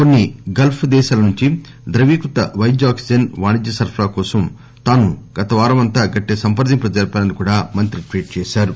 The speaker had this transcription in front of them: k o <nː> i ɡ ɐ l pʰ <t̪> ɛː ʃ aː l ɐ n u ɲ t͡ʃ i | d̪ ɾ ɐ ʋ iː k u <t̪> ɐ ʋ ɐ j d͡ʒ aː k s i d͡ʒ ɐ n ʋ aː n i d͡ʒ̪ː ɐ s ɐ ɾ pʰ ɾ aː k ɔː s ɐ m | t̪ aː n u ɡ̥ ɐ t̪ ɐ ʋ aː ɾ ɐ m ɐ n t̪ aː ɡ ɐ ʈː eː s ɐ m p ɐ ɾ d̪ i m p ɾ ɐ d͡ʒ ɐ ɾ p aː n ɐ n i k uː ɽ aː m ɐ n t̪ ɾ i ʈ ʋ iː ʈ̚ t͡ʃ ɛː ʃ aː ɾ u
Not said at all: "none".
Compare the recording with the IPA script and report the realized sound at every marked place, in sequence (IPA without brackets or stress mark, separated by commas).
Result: nː, d̪, t̪